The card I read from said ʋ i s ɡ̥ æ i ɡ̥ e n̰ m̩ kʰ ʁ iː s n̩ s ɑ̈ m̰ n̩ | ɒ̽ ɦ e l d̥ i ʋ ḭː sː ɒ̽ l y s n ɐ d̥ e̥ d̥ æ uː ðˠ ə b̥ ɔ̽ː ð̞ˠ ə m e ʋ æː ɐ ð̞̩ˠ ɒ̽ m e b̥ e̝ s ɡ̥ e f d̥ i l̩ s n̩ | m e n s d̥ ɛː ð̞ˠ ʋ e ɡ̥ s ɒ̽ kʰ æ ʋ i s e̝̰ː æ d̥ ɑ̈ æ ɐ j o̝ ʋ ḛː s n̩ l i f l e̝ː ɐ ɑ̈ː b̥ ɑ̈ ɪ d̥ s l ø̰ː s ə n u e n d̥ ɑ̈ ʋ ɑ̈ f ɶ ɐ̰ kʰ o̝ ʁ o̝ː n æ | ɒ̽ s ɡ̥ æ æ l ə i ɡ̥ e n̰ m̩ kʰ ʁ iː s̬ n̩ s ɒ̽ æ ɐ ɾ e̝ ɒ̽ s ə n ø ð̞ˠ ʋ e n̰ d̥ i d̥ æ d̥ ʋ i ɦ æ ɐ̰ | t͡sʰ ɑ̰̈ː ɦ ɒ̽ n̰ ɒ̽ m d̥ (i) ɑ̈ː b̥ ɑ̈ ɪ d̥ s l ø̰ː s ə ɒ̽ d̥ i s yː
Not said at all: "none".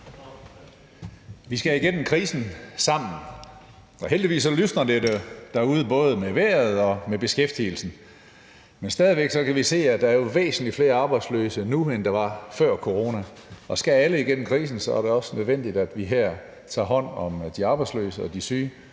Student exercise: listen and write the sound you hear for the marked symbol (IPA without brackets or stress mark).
i